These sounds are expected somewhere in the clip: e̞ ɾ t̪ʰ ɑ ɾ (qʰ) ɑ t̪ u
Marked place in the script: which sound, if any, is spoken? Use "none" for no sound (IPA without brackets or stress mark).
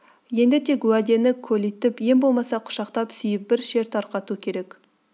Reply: q